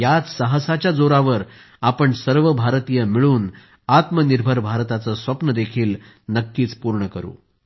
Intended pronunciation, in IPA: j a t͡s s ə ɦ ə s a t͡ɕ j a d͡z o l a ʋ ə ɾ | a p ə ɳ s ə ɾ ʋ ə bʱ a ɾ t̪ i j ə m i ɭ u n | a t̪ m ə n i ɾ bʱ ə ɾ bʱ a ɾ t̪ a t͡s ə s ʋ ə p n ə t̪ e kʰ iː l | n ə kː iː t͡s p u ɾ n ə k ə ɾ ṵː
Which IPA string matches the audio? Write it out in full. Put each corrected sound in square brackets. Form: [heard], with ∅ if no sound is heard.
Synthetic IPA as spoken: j a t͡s s ə ɦ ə s a t͡ɕ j a d͡z o [ɾ] a ʋ ə ɾ | a p ə ɳ s ə ɾ ʋ ə bʱ a ɾ t̪ i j ə m i ɭ [uː] n | a t̪ m ə n i ɾ bʱ ə ɾ bʱ a ɾ t̪ a t͡s ə s ʋ ə p n ə [d̪] e kʰ iː l | n ə kː iː t͡s p u ɾ [ɳ] ə k ə ɾ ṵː